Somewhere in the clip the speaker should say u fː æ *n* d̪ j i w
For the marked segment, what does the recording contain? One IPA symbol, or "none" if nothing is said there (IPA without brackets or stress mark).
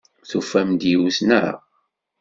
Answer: m